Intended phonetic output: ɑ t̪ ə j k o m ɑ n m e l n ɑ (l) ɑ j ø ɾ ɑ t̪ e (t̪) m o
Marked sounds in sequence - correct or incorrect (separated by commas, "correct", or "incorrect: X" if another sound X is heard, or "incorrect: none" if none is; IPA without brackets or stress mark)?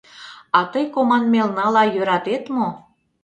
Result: correct, correct